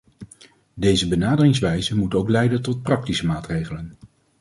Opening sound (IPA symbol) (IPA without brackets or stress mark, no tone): d